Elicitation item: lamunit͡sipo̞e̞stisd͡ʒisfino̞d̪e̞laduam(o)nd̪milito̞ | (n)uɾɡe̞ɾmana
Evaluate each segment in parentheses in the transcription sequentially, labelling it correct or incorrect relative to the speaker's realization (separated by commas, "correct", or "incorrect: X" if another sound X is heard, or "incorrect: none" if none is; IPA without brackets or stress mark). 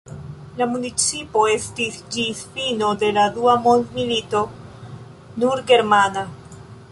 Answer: correct, correct